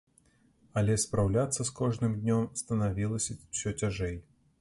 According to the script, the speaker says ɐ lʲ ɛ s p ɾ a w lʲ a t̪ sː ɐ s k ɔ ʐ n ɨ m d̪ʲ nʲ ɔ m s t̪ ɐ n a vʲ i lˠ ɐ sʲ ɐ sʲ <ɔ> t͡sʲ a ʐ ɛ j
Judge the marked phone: correct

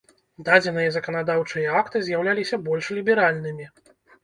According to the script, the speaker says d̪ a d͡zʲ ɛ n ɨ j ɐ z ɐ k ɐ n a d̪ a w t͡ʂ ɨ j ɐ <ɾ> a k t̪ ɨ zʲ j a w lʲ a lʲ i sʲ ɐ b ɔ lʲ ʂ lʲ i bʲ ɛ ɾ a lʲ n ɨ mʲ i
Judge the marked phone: incorrect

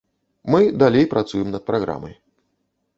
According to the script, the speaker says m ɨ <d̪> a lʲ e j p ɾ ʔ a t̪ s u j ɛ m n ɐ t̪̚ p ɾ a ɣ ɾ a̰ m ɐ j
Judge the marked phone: correct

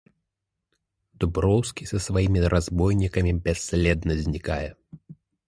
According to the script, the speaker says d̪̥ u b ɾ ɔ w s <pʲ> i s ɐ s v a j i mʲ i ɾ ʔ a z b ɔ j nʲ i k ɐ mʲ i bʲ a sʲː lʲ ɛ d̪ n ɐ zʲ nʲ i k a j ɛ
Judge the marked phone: incorrect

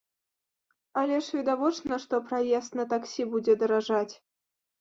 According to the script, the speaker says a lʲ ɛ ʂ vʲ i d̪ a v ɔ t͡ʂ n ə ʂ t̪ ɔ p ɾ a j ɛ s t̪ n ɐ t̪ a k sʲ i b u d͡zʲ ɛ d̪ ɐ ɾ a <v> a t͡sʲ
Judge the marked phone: incorrect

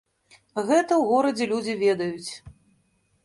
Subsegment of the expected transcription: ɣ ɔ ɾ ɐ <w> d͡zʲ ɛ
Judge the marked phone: incorrect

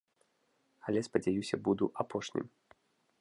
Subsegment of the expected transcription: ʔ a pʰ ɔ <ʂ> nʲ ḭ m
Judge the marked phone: correct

